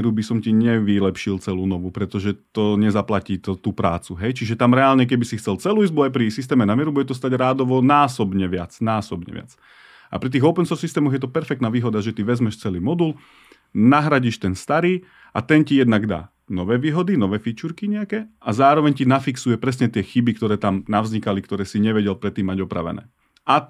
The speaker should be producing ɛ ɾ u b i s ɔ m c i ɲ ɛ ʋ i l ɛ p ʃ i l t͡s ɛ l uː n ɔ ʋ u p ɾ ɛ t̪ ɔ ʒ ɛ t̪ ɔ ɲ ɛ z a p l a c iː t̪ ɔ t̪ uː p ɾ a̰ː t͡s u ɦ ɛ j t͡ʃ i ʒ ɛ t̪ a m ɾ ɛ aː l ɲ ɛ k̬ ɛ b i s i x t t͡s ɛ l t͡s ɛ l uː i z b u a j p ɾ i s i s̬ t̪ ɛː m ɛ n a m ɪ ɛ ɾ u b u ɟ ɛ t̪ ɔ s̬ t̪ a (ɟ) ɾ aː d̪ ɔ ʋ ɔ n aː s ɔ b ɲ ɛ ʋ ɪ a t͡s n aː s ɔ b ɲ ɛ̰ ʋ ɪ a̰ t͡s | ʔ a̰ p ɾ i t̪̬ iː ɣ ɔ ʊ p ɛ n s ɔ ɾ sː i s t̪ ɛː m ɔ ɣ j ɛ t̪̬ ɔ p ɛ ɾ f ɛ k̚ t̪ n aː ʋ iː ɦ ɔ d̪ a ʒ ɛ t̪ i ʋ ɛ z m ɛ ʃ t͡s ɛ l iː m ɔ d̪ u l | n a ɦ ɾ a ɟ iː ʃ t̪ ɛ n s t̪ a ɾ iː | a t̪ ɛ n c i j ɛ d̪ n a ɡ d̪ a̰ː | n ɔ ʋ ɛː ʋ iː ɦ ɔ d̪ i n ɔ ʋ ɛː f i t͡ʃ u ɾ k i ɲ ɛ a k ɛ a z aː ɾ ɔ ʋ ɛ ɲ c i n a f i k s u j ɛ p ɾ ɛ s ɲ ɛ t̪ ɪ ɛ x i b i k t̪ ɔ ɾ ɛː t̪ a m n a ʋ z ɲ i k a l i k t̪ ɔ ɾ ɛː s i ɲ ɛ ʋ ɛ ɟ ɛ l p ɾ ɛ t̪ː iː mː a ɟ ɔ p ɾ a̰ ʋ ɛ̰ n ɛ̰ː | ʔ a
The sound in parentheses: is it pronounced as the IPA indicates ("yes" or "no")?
yes